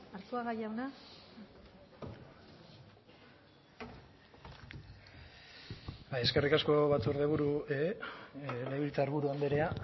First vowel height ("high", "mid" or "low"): low